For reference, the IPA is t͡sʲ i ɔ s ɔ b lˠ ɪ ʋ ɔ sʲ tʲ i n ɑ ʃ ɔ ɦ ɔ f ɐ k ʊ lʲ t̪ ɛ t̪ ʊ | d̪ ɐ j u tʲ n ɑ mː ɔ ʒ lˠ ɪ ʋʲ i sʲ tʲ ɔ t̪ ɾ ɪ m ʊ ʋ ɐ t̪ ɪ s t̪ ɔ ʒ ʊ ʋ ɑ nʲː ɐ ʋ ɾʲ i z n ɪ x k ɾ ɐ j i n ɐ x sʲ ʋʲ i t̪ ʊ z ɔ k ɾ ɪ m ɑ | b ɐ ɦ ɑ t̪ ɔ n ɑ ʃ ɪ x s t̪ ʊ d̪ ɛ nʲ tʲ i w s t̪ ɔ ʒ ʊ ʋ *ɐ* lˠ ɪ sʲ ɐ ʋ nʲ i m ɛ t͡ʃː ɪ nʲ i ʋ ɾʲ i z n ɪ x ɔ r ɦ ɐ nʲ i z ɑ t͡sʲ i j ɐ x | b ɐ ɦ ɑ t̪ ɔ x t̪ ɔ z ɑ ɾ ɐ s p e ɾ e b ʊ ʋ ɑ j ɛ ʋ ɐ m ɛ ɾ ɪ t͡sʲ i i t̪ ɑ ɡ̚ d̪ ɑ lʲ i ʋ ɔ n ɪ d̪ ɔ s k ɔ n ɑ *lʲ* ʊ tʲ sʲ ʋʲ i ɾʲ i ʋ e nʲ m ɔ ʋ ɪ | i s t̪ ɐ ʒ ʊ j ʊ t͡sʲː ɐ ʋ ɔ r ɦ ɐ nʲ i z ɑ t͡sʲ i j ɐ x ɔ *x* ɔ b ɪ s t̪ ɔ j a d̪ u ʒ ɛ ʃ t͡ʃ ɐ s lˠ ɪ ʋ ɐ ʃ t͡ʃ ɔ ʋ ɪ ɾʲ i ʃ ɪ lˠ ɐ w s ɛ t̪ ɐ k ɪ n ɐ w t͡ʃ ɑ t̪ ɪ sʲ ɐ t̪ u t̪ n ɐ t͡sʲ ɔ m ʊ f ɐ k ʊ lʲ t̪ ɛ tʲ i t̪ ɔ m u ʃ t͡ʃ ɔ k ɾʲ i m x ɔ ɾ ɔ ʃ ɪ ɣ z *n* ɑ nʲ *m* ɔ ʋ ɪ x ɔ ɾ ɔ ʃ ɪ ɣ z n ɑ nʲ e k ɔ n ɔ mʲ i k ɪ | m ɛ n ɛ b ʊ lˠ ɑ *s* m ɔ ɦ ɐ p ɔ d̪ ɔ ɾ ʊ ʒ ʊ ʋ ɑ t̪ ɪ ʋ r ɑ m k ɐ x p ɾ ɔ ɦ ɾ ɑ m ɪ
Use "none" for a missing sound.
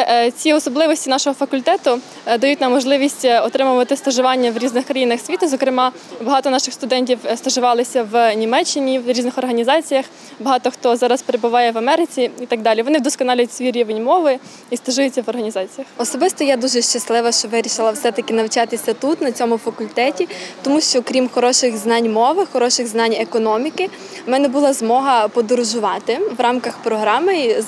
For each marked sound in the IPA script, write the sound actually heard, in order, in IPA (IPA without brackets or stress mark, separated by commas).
ɑ, lʲ, s, n, m, z